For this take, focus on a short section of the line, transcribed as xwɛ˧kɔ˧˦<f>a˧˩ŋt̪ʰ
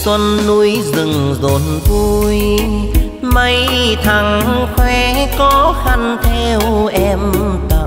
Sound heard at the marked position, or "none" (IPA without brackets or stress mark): x